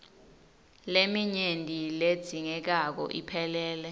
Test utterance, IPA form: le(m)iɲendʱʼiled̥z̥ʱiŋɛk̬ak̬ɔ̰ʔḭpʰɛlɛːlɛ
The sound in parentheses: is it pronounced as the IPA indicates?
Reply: yes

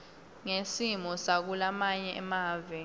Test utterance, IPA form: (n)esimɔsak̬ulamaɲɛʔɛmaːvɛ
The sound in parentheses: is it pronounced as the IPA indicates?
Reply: no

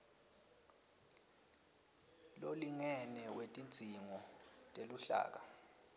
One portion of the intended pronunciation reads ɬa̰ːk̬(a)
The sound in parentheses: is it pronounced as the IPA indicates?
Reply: yes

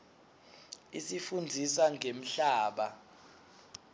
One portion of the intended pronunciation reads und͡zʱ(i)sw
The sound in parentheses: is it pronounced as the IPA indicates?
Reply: yes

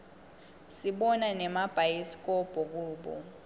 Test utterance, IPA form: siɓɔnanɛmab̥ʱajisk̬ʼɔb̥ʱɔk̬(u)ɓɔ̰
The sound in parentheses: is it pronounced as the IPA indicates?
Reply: no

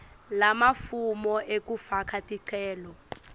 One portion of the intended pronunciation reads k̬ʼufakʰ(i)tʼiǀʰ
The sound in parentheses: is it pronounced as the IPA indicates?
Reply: no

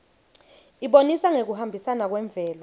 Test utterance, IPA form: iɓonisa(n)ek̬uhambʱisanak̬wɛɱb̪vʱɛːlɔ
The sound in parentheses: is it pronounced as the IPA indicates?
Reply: no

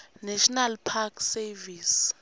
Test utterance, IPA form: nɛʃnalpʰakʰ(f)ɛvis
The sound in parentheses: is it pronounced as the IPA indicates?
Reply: no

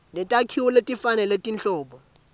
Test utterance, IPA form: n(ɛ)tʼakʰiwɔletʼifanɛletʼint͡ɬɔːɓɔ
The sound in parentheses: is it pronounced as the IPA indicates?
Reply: yes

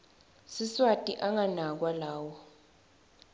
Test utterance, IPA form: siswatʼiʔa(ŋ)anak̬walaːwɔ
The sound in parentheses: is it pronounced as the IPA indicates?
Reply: yes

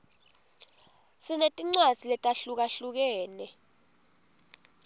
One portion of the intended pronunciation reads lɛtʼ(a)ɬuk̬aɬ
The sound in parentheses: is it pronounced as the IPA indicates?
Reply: yes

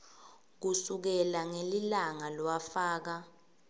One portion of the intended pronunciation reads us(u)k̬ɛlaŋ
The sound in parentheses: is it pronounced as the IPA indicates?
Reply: yes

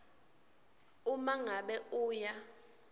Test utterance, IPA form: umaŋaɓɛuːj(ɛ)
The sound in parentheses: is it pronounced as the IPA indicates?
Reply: no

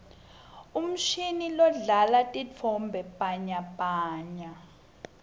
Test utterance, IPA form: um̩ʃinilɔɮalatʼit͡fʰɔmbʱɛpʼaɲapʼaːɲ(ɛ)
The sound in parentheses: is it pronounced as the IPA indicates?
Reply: no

